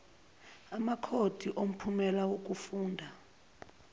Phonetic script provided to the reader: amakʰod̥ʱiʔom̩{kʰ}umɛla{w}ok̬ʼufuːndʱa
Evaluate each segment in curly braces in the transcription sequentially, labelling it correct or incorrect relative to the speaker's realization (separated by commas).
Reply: incorrect, correct